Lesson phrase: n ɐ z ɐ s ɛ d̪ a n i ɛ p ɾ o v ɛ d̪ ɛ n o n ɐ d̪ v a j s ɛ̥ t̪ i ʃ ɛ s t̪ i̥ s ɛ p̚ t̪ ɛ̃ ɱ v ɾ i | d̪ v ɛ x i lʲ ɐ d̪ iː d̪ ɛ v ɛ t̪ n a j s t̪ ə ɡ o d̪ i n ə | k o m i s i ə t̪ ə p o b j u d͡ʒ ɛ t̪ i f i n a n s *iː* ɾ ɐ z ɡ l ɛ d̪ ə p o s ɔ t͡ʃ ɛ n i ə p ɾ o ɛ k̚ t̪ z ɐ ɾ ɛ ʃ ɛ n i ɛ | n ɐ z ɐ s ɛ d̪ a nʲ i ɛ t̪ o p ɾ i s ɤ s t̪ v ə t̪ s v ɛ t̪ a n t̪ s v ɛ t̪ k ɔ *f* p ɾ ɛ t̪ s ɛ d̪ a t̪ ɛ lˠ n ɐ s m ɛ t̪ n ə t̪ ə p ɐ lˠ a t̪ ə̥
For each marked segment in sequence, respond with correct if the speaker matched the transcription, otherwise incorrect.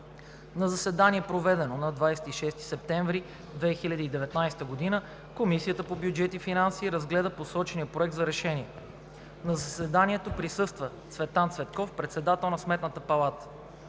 correct, correct

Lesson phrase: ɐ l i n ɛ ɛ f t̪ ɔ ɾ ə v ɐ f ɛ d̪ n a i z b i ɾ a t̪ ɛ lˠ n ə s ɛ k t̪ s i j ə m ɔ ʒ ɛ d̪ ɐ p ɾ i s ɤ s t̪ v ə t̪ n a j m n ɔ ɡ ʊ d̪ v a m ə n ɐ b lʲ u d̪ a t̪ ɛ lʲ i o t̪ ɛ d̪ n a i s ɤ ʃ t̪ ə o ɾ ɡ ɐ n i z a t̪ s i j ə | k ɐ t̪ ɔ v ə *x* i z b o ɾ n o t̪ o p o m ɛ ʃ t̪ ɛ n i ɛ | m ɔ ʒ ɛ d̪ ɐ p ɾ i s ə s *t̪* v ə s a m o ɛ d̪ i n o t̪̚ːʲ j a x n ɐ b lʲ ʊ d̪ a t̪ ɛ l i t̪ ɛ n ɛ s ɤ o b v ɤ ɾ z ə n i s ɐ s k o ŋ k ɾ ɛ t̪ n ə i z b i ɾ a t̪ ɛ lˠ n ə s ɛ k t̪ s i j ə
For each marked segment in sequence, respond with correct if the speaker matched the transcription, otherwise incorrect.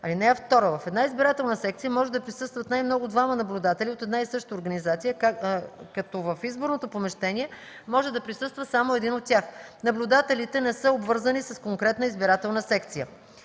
incorrect: f, correct

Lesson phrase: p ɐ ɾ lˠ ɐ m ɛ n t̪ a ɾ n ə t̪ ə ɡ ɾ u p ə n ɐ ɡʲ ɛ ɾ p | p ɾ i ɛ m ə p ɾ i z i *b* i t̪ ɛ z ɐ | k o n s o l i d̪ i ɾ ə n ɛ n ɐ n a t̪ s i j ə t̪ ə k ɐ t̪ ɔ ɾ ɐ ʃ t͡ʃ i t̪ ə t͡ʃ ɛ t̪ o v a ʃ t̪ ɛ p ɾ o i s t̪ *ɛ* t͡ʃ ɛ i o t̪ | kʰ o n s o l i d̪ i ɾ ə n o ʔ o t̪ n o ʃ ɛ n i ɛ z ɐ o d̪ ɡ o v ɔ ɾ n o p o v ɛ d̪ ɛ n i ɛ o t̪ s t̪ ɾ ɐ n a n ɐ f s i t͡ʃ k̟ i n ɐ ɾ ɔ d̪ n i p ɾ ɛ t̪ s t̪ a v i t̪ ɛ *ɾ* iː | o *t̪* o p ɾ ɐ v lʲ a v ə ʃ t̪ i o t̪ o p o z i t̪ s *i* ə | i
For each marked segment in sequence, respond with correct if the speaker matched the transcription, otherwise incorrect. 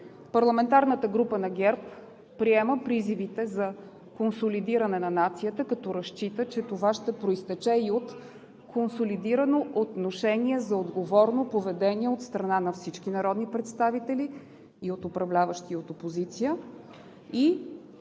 incorrect: v, correct, incorrect: l, correct, correct

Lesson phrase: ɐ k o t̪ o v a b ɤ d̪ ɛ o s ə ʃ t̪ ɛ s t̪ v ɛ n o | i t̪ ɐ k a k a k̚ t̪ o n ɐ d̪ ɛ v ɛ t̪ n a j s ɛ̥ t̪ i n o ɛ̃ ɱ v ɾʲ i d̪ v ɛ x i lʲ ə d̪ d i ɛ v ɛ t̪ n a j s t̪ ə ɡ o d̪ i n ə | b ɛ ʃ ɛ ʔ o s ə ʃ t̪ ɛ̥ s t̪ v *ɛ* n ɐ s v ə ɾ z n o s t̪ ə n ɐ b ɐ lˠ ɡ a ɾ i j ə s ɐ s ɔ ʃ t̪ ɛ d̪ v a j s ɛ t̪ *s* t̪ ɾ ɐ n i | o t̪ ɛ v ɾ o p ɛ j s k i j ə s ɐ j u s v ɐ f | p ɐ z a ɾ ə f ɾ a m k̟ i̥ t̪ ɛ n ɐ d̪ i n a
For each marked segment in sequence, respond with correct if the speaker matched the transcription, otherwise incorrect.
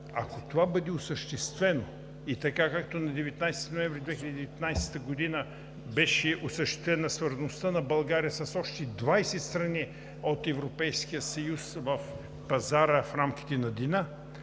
correct, correct

